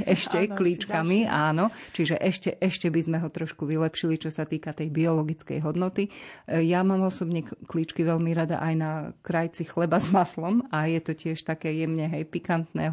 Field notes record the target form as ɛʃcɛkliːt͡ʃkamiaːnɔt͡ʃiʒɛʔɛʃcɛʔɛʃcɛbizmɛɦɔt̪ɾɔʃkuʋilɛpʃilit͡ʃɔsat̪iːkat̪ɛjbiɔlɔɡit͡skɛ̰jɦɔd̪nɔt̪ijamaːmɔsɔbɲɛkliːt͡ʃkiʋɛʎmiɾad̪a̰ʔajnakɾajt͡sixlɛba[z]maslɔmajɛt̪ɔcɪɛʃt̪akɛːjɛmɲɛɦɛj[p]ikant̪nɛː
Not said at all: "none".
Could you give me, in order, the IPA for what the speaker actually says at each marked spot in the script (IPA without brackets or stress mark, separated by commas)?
z, p